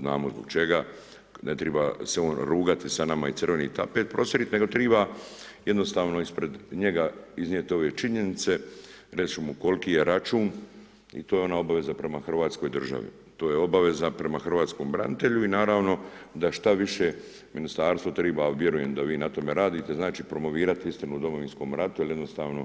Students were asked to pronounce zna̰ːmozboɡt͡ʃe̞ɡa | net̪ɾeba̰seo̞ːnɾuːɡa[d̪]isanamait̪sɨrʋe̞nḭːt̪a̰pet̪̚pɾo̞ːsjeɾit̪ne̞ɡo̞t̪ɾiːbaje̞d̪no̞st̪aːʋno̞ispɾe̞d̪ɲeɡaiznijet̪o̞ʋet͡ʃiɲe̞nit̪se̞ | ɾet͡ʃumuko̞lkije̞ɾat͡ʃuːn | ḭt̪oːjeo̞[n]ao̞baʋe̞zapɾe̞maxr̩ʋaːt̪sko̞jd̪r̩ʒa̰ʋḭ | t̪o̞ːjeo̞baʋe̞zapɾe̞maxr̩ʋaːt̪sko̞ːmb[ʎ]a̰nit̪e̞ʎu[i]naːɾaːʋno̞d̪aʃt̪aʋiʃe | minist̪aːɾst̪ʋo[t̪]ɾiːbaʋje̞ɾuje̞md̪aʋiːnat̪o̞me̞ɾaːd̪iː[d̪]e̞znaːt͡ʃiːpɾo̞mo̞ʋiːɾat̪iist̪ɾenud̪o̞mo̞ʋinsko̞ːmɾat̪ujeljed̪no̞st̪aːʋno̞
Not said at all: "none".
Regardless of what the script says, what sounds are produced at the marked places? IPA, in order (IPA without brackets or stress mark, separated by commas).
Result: t̪, n, ɾ, i, t̪, t̪